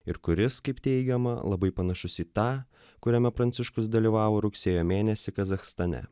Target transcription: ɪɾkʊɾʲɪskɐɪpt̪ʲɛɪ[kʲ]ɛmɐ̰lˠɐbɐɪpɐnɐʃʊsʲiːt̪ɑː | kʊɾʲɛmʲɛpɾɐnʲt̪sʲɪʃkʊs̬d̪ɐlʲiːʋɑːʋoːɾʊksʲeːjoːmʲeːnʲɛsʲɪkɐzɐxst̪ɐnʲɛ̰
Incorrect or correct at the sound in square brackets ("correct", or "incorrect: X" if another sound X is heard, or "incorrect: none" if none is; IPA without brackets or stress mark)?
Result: incorrect: ɡʲ